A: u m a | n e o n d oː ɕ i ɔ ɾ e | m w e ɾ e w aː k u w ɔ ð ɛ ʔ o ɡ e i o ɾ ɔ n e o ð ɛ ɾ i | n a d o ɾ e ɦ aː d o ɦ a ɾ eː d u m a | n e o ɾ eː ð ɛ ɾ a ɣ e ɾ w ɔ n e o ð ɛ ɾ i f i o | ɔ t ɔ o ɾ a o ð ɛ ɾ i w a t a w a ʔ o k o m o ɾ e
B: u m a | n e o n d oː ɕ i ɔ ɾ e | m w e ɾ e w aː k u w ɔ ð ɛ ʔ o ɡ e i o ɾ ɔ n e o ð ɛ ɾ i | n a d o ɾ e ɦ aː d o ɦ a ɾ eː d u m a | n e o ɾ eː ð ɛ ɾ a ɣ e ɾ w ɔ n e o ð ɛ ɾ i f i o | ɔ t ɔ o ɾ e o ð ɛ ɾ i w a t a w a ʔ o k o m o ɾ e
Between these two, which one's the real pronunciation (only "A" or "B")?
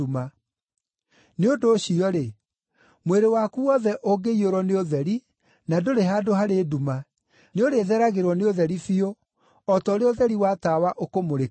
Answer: B